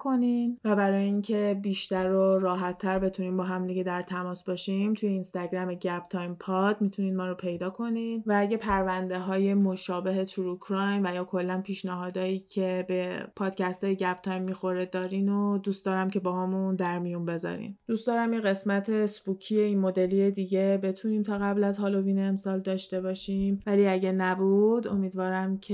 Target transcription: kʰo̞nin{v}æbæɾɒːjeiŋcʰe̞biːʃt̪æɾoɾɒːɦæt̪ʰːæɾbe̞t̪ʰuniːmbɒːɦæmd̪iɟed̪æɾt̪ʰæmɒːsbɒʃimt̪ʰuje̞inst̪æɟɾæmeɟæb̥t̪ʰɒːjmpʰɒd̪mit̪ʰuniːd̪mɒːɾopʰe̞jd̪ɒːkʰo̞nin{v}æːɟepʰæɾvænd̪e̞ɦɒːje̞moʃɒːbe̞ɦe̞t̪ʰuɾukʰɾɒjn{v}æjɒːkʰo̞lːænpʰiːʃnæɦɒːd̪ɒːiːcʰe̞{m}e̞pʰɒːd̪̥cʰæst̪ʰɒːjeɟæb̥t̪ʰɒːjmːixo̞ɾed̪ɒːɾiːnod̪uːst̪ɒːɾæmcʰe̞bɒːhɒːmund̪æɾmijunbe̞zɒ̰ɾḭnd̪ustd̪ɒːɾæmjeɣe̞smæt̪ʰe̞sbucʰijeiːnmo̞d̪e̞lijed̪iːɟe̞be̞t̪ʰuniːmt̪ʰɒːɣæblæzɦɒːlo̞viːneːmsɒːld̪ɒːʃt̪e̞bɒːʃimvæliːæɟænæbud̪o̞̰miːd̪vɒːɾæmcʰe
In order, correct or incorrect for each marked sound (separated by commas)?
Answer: correct, correct, correct, incorrect